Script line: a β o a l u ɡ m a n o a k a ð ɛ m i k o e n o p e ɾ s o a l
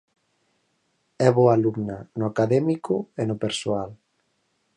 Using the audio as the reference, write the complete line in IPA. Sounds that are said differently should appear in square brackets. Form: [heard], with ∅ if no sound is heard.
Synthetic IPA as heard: [ɛ] β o a l u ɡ [n] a n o a k a ð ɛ m i k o e n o p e ɾ s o a l

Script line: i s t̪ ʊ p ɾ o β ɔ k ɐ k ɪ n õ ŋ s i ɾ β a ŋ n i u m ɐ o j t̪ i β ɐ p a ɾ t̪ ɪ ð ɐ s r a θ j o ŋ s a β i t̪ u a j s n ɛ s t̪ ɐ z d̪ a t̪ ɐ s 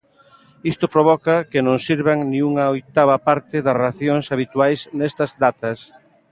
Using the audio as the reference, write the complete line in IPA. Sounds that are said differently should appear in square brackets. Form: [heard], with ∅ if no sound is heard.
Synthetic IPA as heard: i s t̪ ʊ p ɾ o β ɔ k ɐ k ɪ n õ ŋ s i ɾ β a ŋ n i u [ŋ] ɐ o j t̪ [a] β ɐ p a ɾ t̪ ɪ ð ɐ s r a θ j o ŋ s a β i t̪ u a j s n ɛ s t̪ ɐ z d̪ a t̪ ɐ s

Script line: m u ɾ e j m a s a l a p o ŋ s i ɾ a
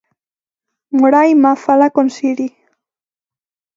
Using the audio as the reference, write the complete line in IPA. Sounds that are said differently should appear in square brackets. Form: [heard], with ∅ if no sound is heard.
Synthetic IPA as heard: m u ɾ [a] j m a [f] a l a [k] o [n] s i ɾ [i]

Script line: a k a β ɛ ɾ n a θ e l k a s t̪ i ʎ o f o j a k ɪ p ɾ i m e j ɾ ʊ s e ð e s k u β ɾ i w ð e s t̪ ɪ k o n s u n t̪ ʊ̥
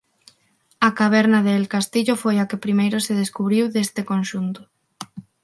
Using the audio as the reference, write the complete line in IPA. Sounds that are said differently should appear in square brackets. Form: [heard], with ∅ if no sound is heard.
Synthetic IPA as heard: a k a β ɛ ɾ n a [ð] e l k a s t̪ i ʎ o f o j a k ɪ p ɾ i m e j ɾ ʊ s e ð e s k u β ɾ i w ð e s t̪ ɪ k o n [ʃ] u n t̪ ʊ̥

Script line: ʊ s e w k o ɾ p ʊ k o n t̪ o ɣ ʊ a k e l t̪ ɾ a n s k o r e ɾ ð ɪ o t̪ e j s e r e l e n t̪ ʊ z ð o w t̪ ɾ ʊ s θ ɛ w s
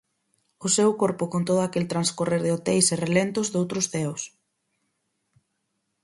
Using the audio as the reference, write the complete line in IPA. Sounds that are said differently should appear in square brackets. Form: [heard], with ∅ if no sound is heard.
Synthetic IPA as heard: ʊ s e w k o ɾ p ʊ k o n t̪ o [ð] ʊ a k e l t̪ ɾ a n s k o r e ɾ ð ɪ o t̪ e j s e r e l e n t̪ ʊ z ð o w t̪ ɾ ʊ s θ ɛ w s

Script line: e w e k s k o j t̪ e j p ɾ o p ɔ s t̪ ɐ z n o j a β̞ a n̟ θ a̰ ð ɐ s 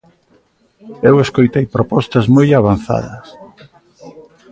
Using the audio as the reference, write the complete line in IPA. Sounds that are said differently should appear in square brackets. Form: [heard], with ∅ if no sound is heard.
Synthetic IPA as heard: e w e [∅] s k o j t̪ e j p ɾ o p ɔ s t̪ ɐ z [m] o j a β̞ a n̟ θ a̰ ð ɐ s

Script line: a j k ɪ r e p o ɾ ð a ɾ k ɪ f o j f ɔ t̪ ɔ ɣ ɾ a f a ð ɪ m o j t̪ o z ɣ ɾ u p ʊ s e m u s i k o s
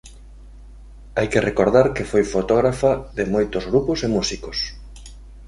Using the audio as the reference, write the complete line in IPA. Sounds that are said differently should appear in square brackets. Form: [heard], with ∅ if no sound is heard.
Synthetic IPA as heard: a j k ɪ r e [k] o ɾ ð a ɾ k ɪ f o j f [o] t̪ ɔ ɣ ɾ a f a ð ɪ m o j t̪ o z ɣ ɾ u p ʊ s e m u s i k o s

